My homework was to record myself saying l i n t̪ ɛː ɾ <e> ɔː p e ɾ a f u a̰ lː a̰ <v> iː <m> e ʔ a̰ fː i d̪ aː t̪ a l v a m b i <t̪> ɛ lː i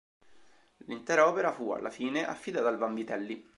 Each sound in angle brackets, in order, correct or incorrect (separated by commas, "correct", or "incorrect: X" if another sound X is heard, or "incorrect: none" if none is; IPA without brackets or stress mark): incorrect: a, incorrect: f, incorrect: n, correct